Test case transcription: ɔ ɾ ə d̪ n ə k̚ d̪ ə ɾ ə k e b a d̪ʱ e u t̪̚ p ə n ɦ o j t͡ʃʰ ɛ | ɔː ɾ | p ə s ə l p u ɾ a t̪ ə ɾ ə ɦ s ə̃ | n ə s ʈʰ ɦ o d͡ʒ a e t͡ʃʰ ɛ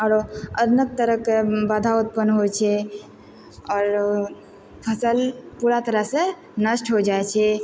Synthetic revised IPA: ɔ ɾ ə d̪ n ə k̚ t̪ ə ɾ ə k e b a d̪ʱ a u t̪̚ p ə n ɦ o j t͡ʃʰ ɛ | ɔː ɾ | pʰ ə s ə l p u ɾ a t̪ ə ɾ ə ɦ s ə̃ | n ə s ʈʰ ɦ o d͡ʒ a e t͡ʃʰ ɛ